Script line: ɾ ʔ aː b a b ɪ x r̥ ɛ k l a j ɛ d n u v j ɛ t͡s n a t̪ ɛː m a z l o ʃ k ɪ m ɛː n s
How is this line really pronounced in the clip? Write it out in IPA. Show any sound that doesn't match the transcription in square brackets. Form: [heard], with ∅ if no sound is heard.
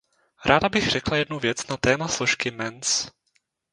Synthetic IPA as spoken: ɾ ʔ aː [d] a b ɪ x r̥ ɛ k l a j ɛ d n u v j ɛ t͡s n a t̪ ɛː m a [s] l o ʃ k ɪ m [ɛ] n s